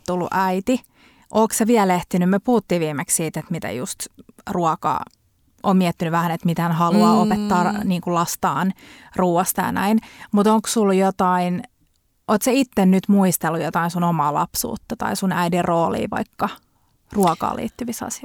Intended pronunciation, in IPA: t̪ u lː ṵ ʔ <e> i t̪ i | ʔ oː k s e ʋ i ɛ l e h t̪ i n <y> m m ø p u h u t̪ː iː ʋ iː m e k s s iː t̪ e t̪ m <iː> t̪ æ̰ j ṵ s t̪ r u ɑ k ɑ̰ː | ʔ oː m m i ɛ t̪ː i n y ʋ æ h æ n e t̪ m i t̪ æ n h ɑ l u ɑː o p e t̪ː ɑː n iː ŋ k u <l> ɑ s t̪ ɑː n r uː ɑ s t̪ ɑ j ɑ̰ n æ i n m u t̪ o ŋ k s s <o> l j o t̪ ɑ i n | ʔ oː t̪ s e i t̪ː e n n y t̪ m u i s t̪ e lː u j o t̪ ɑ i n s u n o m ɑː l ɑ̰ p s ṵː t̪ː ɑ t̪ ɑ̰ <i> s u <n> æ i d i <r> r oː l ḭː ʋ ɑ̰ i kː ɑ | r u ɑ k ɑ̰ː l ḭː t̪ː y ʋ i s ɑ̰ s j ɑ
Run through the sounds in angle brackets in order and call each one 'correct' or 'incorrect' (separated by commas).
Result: incorrect, correct, incorrect, correct, incorrect, correct, correct, correct